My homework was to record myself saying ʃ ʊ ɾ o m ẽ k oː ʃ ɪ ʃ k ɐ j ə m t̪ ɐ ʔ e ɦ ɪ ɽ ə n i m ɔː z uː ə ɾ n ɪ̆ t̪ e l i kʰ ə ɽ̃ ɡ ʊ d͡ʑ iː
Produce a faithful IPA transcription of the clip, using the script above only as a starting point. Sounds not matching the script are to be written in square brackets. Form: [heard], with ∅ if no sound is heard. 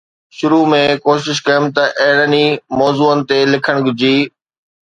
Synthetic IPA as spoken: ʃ ʊ ɾ [u] m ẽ k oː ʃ ɪ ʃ k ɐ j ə m t̪ ɐ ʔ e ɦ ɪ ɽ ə n i m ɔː z uː ə [∅] n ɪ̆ t̪ e l [ɪ] kʰ ə ɽ̃ ɡ ʊ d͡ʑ iː